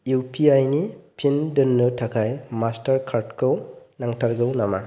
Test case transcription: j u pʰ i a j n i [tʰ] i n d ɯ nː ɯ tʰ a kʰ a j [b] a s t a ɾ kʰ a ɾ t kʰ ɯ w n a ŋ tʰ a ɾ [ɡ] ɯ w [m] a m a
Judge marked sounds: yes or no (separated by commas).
no, no, yes, no